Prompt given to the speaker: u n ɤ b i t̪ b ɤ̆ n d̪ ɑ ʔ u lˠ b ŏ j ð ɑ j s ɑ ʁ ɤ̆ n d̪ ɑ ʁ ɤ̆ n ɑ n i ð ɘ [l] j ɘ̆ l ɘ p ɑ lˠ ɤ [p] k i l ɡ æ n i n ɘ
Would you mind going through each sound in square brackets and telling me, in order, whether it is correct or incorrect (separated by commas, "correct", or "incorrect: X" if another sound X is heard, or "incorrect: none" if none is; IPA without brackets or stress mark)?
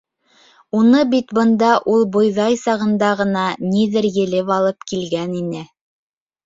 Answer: incorrect: ɾ, correct